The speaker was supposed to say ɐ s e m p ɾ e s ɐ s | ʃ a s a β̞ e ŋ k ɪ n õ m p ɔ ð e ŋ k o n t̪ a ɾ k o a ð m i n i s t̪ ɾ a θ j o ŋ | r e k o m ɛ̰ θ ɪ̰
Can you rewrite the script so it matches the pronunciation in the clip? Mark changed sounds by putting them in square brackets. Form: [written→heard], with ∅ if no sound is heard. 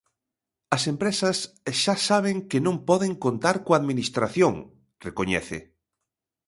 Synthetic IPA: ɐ s e m p ɾ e s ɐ s | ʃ a s a β̞ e ŋ k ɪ n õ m p ɔ ð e ŋ k o n t̪ a ɾ k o a ð m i n i s t̪ ɾ a θ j o ŋ | r e k o [m→ɲ] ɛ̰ θ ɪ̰